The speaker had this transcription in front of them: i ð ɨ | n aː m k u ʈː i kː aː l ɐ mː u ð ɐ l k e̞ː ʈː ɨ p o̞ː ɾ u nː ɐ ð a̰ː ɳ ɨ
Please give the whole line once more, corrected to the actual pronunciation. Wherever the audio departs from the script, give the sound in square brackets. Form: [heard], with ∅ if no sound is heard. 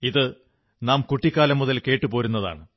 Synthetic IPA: i ð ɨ | n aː m k u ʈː i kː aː l ɐ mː u ð ɐ l k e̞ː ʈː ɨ p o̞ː ɾ u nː ɐ ð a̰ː ɳ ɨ